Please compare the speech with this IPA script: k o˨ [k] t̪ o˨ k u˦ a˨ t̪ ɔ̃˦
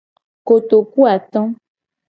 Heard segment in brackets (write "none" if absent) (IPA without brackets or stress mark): none